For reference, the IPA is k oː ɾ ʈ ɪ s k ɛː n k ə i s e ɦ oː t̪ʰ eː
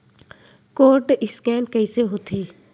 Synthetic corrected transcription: k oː ɾ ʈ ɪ s k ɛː n k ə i s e ɦ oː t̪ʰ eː

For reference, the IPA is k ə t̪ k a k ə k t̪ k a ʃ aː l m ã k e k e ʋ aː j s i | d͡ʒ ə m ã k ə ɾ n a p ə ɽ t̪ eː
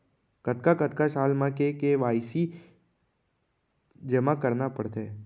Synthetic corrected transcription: k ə t̪ k a k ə t̪ k a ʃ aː l m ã k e k e ʋ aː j s i | d͡ʒ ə m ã k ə ɾ n a p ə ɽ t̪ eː

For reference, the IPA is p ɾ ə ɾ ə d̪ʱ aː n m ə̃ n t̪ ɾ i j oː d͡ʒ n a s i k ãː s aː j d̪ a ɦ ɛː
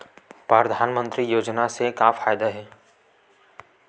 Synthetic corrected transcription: p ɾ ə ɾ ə d̪ʱ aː n m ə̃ n t̪ ɾ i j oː d͡ʒ n a s e k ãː f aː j d̪ a ɦ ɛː

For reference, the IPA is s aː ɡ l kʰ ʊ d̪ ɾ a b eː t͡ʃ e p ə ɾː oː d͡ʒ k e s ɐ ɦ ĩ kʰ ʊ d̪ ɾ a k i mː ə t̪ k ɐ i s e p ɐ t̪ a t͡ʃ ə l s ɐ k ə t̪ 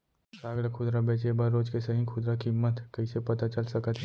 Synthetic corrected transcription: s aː ɡ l kʰ ʊ d̪ ɾ a b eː t͡ʃ e b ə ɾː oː d͡ʒ k e s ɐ ɦ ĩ kʰ ʊ d̪ ɾ a k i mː ə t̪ k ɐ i s e p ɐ t̪ a t͡ʃ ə l s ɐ k ə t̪

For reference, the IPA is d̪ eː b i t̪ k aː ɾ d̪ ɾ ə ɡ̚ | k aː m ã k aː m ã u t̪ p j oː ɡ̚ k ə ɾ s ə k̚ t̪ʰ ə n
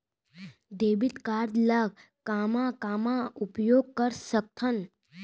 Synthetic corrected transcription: d̪ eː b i t̪ k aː ɾ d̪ l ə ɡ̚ | k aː m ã k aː m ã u p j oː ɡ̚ k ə ɾ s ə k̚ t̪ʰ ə n

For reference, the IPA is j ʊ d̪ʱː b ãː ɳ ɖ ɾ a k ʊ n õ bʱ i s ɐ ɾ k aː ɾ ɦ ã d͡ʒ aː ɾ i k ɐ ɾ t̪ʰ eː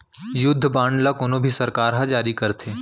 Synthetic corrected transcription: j ʊ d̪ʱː b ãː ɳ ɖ l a k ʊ n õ bʱ i s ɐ ɾ k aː ɾ ɦ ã d͡ʒ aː ɾ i k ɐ ɾ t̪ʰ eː

